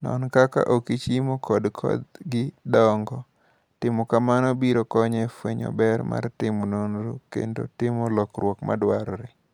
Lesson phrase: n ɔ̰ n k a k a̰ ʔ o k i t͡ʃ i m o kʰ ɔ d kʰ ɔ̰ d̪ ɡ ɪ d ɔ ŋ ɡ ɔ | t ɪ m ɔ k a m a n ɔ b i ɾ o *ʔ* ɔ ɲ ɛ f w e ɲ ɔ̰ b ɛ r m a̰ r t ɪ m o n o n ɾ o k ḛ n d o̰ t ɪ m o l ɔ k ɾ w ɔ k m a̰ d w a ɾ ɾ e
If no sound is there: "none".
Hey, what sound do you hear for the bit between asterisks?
k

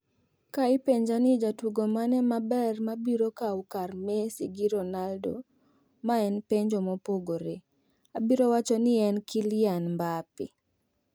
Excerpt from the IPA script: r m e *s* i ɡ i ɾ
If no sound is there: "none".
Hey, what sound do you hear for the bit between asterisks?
s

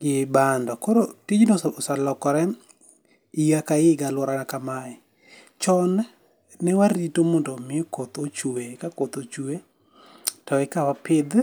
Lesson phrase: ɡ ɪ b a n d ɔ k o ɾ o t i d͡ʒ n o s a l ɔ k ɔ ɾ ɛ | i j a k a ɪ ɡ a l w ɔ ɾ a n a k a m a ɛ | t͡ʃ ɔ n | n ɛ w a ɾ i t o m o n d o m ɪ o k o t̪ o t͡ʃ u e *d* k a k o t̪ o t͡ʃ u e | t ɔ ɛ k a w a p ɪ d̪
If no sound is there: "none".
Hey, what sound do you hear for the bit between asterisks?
none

